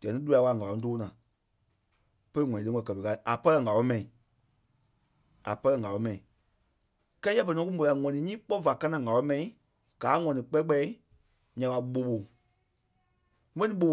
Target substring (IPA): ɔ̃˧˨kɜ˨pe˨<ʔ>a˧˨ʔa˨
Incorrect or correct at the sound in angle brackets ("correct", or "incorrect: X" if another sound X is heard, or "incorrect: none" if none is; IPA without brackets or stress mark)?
incorrect: k